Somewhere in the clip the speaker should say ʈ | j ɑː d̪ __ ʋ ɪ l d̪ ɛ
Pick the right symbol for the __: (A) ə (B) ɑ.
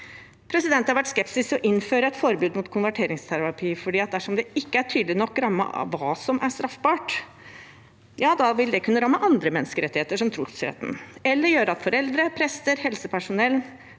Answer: B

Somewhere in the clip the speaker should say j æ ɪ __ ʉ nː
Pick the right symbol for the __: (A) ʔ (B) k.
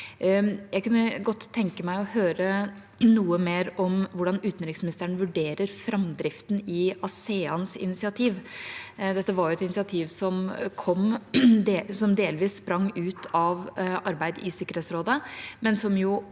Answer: B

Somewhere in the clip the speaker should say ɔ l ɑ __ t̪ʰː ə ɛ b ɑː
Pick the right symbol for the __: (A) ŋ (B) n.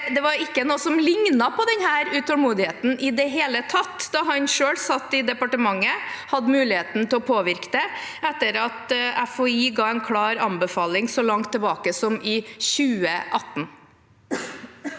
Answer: A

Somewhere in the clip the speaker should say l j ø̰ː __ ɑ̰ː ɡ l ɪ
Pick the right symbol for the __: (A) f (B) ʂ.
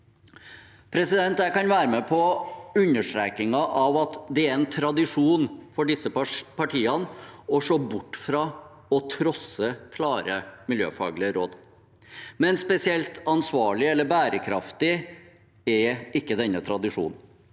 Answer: A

